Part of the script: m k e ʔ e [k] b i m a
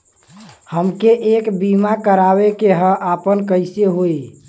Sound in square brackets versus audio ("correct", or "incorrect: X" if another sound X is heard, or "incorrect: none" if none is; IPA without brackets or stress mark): correct